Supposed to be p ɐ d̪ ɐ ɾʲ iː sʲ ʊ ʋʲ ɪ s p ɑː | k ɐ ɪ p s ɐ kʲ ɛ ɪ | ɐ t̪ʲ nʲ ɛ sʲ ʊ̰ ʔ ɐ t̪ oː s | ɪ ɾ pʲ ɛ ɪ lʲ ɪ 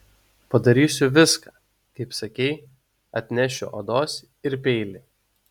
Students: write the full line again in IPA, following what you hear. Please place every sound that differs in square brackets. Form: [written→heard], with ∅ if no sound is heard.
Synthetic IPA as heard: p ɐ d̪ ɐ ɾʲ iː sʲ ʊ ʋʲ ɪ s [p→k] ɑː | k ɐ ɪ p s ɐ kʲ ɛ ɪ | ɐ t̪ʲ nʲ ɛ [sʲ→ʃʲ] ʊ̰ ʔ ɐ [t̪→d̪] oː s | ɪ ɾ pʲ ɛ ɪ lʲ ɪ